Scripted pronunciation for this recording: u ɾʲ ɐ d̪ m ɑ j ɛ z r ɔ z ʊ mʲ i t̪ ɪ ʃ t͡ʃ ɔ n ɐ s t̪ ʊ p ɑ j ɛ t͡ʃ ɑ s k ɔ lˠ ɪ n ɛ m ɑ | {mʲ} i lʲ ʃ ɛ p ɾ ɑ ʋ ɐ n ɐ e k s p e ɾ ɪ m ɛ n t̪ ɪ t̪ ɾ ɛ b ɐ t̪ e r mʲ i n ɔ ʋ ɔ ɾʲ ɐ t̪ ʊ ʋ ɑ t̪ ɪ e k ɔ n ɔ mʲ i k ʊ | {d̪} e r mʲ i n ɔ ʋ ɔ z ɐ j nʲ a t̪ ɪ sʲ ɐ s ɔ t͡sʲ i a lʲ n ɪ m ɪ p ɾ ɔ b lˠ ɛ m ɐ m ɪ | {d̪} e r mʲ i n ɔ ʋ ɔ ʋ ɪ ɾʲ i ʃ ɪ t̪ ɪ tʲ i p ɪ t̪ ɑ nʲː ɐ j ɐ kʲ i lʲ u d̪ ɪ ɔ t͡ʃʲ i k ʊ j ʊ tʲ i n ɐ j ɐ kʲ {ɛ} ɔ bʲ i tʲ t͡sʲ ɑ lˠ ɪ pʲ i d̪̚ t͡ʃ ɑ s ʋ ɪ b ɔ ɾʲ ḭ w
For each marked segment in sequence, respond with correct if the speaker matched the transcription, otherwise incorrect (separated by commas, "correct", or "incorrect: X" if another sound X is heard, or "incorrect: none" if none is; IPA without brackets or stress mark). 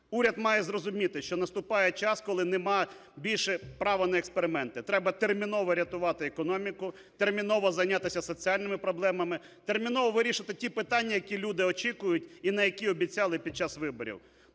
incorrect: bʲ, incorrect: t̪, incorrect: t̪, incorrect: i